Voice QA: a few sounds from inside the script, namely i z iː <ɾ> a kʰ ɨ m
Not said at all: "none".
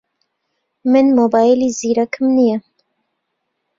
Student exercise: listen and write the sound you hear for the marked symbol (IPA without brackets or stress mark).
ɾ